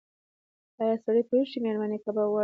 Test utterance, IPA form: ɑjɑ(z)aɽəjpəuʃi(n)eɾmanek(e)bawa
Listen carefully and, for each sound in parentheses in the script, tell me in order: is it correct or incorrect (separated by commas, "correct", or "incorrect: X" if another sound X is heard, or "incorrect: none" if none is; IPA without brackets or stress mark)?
incorrect: s, incorrect: m, incorrect: a